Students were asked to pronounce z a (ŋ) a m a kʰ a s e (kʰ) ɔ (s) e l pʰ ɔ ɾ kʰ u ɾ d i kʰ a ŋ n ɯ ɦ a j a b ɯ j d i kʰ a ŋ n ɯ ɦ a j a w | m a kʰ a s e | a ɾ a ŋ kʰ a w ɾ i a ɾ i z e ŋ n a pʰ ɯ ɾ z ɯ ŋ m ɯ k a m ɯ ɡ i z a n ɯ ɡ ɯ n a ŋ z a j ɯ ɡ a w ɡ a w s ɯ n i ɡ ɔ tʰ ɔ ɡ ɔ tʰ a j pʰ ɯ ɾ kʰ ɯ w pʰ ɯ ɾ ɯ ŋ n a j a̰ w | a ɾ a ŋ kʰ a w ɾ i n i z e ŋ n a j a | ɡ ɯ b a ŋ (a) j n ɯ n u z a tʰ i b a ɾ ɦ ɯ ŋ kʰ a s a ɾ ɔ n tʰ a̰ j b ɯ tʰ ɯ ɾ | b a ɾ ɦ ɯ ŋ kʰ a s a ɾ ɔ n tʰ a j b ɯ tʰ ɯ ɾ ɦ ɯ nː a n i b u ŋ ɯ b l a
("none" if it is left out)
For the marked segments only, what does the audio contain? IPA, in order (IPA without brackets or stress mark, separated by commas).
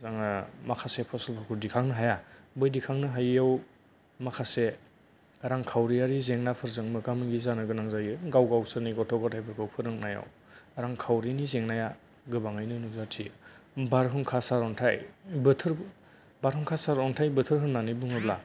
ŋ, pʰ, s, a